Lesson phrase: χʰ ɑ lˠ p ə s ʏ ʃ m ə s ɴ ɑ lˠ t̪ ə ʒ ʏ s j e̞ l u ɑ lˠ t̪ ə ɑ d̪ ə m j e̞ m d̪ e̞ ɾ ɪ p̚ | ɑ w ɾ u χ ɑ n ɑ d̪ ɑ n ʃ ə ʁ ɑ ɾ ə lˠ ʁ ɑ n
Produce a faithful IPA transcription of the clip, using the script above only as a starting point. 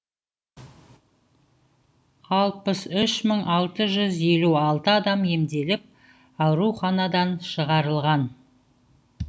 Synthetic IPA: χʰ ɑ lˠ p ə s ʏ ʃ m ə ɴ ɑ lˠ t̪ ə ʒ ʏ z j e̞ l u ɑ lˠ t̪ ə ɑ d̪ ɑ m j e̞ m d̪ e̞ l ɪ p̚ | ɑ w ɾ u χ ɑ n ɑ d̪ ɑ n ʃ ə ʁ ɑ ɾ ə lˠ ʁ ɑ n